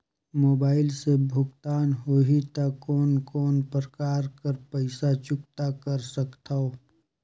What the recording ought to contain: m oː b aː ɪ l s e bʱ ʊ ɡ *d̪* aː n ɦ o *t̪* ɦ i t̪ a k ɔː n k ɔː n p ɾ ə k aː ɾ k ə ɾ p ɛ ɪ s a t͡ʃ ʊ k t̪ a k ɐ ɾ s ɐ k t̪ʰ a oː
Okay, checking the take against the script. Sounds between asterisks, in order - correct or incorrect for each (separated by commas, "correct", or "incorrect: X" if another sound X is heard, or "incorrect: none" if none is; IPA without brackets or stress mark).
incorrect: t̪, incorrect: none